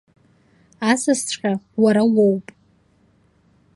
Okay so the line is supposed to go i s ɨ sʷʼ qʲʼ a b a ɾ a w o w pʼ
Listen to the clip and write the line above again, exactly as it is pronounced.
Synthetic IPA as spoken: a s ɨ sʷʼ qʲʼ a w a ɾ a w o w pʼ